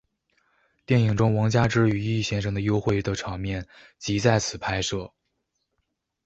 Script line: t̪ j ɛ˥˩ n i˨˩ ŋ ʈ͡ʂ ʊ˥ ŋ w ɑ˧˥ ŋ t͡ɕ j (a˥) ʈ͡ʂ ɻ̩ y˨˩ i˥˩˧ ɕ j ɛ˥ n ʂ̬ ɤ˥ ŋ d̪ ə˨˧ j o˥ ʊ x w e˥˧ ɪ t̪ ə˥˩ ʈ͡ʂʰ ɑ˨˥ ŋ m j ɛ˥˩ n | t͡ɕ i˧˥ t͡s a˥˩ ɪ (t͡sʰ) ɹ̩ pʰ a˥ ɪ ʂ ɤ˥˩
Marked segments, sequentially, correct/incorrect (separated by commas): correct, correct